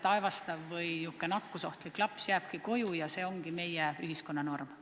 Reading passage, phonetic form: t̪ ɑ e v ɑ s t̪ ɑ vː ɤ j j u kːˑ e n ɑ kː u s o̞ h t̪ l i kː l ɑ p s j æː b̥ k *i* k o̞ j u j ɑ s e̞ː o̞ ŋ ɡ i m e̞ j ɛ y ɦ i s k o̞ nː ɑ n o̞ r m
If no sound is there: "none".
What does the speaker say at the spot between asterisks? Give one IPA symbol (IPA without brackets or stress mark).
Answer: i